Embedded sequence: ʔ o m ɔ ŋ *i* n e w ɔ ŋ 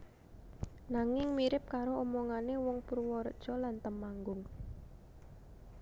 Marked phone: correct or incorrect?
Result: incorrect